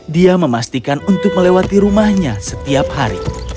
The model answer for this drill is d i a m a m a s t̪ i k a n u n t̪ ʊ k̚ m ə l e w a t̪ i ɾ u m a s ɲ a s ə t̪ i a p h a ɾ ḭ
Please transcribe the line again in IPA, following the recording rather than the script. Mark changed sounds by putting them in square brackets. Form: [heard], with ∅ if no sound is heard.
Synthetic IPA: d i a m [ə] m a s t̪ i k a n u n t̪ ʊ k̚ m ə l e w a t̪ i ɾ u m a [h] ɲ a s ə t̪ i a p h a ɾ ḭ